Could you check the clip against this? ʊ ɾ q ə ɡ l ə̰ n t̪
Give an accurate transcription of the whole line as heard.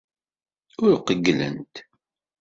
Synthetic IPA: ʊ ɾ q ə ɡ l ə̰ n t̪